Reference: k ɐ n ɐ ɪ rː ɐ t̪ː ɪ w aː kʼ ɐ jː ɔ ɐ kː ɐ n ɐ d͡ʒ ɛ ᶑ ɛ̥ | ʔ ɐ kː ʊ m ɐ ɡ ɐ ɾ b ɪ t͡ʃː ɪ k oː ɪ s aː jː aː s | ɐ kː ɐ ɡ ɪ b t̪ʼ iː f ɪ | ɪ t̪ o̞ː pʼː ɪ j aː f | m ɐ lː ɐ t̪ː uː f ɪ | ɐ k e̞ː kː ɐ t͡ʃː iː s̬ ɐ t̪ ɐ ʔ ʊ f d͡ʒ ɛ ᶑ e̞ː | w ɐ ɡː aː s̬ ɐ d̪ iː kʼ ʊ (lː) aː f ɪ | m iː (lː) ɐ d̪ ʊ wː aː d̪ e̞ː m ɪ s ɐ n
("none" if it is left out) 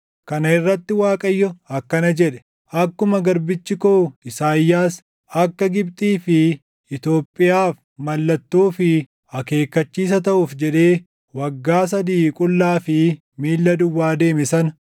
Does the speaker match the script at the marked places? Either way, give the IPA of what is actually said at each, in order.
lː, lː

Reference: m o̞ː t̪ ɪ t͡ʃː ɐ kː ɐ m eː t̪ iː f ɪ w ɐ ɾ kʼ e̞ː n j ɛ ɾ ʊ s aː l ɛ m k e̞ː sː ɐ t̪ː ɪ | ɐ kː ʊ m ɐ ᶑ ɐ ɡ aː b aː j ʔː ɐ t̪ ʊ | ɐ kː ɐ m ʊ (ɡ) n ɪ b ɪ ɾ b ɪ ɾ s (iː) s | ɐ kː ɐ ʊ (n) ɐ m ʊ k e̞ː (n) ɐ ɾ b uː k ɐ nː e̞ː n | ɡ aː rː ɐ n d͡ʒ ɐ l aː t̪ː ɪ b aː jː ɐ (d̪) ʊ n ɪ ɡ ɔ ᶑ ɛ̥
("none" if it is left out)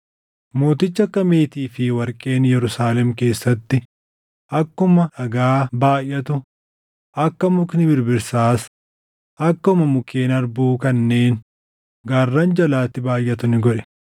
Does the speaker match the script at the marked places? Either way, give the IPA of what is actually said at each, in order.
k, aː, m, n, t̪

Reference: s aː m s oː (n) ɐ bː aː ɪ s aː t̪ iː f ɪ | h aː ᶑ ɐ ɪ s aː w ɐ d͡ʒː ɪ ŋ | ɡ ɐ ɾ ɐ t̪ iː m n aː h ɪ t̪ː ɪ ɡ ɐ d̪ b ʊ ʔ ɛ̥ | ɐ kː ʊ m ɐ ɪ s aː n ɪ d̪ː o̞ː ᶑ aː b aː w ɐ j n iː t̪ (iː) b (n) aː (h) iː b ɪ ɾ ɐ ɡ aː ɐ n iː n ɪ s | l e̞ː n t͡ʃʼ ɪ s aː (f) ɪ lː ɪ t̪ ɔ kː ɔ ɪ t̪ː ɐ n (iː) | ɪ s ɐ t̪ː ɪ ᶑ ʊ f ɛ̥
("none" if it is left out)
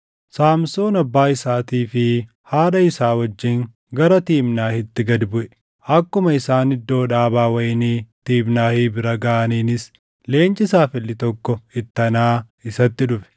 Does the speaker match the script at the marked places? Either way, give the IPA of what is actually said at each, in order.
n, iː, n, h, f, aː

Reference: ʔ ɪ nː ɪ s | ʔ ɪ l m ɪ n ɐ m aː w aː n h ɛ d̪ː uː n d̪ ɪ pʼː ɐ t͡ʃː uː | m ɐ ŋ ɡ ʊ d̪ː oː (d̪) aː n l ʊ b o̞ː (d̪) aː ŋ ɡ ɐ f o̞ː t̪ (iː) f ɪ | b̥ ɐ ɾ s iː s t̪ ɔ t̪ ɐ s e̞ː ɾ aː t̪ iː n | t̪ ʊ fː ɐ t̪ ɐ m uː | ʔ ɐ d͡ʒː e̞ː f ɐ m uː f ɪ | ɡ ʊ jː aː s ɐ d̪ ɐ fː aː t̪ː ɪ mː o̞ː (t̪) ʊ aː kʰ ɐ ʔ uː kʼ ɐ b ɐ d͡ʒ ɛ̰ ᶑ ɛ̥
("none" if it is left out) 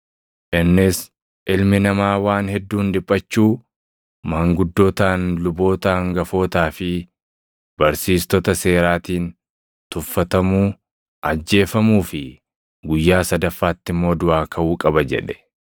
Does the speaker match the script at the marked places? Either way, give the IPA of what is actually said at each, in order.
t̪, t̪, aː, d̪

